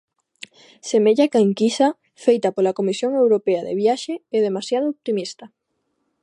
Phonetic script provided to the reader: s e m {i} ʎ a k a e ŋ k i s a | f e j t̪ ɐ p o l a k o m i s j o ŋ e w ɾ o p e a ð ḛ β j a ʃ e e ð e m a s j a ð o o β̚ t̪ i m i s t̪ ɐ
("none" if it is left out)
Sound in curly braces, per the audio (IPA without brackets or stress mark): e